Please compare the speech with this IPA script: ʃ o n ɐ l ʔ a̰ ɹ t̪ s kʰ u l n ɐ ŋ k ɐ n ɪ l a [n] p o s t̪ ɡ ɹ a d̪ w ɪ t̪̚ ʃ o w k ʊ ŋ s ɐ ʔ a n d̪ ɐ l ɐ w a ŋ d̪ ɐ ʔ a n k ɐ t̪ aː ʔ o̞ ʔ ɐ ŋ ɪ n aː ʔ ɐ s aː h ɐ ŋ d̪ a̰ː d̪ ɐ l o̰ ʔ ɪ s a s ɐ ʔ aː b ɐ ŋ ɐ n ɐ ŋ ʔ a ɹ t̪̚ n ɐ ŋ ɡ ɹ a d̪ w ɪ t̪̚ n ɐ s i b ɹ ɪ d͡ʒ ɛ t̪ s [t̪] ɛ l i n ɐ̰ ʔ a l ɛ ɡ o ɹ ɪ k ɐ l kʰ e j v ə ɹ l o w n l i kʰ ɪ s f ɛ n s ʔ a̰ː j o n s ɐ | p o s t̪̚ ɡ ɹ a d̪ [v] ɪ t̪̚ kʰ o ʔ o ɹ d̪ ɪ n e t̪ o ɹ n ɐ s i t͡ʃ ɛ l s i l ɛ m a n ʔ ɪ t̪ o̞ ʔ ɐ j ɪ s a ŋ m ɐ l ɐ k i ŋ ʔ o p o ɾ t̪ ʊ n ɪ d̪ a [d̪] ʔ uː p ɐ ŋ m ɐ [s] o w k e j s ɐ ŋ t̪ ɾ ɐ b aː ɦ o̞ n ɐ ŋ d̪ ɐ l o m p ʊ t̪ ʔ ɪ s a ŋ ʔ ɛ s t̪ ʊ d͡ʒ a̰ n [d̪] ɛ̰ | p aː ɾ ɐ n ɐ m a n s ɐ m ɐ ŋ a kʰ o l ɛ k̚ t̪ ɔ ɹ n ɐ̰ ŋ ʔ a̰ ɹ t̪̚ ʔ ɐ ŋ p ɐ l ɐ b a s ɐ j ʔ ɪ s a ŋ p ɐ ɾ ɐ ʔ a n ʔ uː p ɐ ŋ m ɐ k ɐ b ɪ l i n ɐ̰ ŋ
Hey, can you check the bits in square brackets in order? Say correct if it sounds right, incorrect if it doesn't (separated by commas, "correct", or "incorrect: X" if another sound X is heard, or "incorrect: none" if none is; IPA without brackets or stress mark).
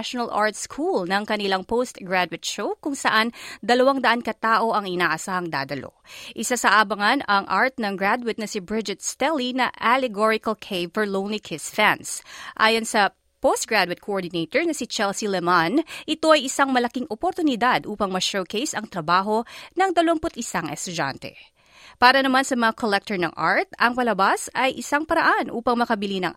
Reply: incorrect: ŋ, correct, incorrect: w, correct, incorrect: ʃ, incorrect: t̪